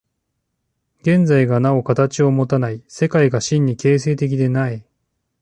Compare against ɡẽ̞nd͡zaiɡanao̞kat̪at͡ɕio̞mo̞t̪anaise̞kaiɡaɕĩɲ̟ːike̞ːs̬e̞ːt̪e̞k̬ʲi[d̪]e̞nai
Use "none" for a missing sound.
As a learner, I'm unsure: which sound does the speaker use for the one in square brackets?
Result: d̪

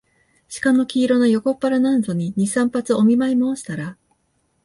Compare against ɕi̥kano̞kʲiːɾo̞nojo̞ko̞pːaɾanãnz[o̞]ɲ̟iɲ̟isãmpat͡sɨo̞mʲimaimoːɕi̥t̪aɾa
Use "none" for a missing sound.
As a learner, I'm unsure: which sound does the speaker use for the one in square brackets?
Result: o̞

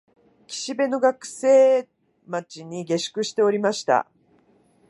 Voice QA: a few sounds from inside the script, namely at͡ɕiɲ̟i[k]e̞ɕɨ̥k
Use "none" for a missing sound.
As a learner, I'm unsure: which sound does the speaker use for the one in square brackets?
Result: ɡ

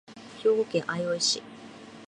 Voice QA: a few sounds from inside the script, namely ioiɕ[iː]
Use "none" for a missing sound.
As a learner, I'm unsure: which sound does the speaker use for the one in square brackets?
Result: i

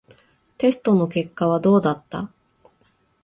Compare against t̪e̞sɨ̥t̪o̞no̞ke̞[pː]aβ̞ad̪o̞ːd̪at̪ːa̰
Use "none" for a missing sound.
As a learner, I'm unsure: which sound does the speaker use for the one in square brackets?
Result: kː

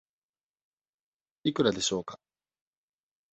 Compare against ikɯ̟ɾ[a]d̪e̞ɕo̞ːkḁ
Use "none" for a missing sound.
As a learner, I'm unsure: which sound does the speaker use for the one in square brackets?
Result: a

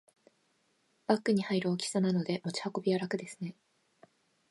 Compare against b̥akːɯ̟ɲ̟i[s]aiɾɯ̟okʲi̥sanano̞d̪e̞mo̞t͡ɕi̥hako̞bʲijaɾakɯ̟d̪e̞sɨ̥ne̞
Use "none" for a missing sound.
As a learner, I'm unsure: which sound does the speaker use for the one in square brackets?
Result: h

